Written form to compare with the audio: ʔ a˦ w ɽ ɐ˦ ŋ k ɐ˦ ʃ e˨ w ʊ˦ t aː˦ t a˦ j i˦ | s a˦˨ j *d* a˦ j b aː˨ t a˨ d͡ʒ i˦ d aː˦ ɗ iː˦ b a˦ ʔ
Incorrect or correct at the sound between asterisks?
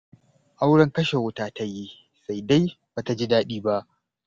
correct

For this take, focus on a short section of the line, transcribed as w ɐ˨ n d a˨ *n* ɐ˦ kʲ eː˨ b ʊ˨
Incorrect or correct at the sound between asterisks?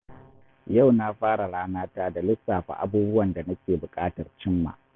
correct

